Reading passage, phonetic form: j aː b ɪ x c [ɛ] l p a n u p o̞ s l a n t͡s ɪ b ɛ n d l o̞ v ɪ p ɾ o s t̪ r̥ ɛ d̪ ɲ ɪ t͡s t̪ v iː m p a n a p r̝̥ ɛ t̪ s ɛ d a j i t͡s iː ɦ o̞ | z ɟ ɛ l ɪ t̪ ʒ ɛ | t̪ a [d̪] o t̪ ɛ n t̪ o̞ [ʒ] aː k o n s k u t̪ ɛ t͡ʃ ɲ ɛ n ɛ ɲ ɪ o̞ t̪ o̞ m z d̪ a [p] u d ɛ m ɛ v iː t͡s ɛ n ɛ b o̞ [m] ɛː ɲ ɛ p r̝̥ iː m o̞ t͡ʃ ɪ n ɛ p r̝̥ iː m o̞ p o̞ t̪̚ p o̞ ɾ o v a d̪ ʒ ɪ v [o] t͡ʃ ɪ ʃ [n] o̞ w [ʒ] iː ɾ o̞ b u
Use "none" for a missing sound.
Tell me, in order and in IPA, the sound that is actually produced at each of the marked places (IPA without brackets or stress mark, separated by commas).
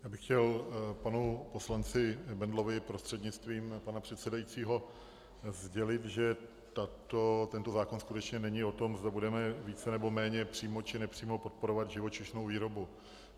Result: ɛ, t̪, z, b, m, o, n, v